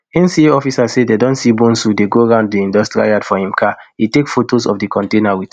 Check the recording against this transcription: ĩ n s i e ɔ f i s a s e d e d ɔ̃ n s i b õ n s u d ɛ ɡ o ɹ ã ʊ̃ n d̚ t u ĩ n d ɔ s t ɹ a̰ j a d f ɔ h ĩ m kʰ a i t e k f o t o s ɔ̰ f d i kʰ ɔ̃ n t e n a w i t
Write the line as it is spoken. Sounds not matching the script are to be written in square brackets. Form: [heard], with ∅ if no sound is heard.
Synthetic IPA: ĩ n s i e ɔ f i s a s e d e d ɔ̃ n s i b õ n s u d [e] ɡ o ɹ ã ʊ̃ n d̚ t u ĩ n d ɔ s t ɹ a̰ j a d f ɔ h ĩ m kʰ a i t e k f o t o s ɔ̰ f d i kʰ ɔ̃ n t e n a w i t

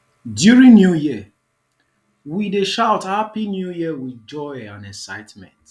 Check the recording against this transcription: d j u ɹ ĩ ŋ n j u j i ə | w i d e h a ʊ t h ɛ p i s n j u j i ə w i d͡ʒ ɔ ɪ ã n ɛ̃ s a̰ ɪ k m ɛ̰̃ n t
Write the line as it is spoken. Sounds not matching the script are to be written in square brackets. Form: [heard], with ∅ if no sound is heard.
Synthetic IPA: d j u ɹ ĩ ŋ n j u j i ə | w i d e [ʃ] a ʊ t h [a] p i [∅] n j u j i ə w i d͡ʒ ɔ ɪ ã n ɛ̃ s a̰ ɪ [t] m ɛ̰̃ n t

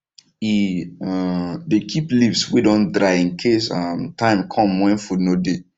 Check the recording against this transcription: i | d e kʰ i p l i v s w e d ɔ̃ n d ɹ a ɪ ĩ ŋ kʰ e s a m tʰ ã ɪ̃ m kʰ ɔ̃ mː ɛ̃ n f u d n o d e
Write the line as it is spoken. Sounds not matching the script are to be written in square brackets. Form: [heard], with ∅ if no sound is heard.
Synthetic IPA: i | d e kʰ i p l i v s w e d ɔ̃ n d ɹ a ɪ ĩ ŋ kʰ e s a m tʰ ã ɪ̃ m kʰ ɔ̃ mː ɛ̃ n f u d n o d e

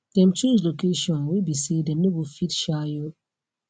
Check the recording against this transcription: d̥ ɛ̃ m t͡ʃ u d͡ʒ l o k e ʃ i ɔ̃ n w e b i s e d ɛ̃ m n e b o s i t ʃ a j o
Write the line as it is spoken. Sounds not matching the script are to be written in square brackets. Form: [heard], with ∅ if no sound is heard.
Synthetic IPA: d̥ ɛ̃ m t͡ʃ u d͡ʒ l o k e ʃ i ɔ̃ n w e b i s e d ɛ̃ m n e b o [f] i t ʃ a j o

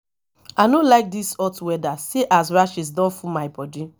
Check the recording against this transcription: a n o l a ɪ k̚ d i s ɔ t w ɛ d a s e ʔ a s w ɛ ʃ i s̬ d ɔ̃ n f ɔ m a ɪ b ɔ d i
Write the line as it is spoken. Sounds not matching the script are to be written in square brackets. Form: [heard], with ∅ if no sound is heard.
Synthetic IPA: a n o l a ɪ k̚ d i s ɔ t w ɛ d a s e ʔ a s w [a] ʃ i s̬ d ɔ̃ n f [u] m a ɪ b ɔ d i

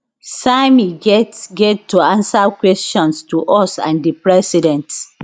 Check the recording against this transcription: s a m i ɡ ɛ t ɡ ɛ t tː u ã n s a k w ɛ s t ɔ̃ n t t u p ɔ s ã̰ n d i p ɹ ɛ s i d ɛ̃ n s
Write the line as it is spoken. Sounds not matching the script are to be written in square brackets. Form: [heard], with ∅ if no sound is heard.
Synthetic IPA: s a m i ɡ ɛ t ɡ ɛ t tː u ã n s a k w ɛ s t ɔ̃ n [s] t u [ʔ] ɔ s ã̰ n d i p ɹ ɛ s i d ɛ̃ n [t]

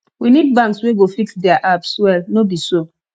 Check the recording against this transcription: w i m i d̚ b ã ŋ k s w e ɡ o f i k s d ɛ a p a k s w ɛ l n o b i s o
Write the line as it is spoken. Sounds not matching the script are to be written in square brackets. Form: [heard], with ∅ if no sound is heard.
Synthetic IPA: w i [n] i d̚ b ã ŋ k s w e ɡ o f i k s d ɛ a [ʔ] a [p] s w ɛ l n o b i s o

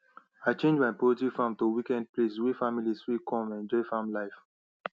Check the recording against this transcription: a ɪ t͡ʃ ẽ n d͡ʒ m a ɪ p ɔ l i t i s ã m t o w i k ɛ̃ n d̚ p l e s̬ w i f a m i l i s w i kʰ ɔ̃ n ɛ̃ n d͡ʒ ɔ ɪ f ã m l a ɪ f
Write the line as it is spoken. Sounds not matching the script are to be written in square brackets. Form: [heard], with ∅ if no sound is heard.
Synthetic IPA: a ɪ t͡ʃ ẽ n d͡ʒ m a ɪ p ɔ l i t i [f] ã m t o w i k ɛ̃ n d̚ p l e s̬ w i f a m i l i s w i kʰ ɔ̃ [m] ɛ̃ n d͡ʒ ɔ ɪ f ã m l a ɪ f

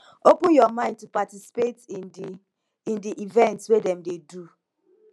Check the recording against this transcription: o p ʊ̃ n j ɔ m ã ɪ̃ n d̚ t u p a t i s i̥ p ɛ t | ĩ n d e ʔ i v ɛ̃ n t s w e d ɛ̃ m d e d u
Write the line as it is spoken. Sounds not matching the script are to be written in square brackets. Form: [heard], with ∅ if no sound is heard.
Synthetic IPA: o p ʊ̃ n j ɔ m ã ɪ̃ n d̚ t u p a t i s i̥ p [e] t | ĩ n d [i] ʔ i v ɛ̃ n t s w e d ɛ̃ m d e d u

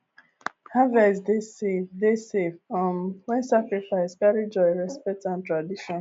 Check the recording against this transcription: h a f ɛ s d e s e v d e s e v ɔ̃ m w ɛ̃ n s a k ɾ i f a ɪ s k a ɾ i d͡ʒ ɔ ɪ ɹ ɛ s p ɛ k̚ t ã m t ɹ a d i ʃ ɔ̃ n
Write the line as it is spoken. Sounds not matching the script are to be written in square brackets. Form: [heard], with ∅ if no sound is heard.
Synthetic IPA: h a [v] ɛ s d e s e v d e s e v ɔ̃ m w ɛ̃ n s a k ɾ i f a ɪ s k a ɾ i d͡ʒ ɔ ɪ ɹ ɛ s p ɛ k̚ t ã [n] t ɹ a d i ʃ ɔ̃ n

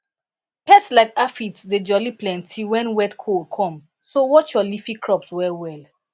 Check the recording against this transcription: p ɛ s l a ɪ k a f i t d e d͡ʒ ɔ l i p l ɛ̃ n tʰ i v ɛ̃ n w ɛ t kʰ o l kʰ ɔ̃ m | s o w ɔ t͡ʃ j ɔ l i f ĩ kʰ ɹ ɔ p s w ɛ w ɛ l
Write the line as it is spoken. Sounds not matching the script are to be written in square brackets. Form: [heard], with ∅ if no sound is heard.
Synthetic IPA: p ɛ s l a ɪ k a f i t d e d͡ʒ ɔ l i p l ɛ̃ n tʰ i [w] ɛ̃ n w ɛ t kʰ o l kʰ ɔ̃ m | s o w ɔ t͡ʃ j ɔ l i f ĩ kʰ ɹ ɔ p s w ɛ w ɛ l

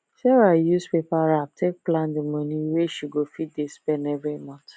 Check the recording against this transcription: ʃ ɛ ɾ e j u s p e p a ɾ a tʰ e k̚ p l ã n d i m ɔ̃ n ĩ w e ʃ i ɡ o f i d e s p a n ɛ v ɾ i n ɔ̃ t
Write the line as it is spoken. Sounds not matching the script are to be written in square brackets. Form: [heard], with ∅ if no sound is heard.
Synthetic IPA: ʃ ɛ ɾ [a] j u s p e p a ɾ a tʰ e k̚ p l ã n d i m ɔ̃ n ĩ w e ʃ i ɡ o f i d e s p [ɛ] n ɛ v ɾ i [m] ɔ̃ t

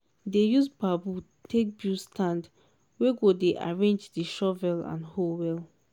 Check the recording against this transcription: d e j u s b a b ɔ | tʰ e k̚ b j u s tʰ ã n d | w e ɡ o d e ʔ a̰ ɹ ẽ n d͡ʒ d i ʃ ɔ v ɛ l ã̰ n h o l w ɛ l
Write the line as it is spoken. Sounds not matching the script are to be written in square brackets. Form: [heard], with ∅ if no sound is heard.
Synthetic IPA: d e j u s b a b [u] | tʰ e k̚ b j u s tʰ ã n d | w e ɡ o d e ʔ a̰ ɹ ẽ n d͡ʒ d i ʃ ɔ v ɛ l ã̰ n h o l w ɛ l

